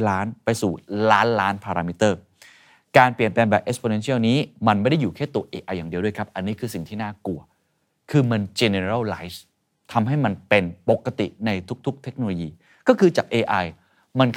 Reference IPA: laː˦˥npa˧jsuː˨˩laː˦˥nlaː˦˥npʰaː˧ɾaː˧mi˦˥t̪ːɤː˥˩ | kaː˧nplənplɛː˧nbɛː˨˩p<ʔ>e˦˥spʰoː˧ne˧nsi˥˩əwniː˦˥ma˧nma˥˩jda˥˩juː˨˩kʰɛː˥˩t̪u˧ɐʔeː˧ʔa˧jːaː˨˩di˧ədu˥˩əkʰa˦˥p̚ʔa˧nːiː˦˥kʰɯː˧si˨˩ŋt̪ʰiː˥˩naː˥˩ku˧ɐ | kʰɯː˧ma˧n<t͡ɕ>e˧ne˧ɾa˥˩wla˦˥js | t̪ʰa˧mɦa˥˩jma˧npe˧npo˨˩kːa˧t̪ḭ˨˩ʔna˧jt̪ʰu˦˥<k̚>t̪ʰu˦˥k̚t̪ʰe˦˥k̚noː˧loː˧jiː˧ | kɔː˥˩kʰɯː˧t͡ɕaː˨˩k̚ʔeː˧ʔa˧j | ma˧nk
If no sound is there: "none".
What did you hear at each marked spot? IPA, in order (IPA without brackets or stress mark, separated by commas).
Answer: ʔ, t͡ɕ, k̚